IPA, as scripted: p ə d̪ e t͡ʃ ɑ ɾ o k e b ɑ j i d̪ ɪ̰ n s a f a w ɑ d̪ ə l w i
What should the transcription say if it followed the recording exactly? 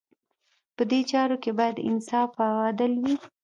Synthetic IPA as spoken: p ə d̪ e t͡ʃ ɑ ɾ o k e b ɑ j a d̪ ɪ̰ n s ɑ f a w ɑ d̪ ə l w i